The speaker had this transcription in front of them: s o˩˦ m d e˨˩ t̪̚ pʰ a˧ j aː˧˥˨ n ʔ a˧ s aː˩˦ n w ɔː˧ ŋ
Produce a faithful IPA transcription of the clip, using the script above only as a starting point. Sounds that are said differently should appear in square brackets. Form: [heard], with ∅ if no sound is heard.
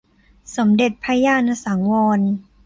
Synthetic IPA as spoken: s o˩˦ m d e˨˩ t̪̚ pʰ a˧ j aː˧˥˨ n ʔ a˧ s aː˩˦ [ŋ] w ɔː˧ [n]